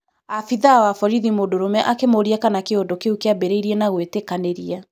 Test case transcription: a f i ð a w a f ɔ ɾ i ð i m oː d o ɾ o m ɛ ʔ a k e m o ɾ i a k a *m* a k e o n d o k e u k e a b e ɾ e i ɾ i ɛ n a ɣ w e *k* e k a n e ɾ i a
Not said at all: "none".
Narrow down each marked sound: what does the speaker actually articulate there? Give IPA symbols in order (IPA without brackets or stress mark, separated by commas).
n, t